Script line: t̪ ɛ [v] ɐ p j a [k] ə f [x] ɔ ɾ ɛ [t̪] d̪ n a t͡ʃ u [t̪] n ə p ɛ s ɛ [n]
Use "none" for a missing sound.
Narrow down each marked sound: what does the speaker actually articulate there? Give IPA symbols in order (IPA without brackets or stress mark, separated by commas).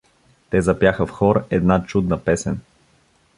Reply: z, x, x, none, d̪, n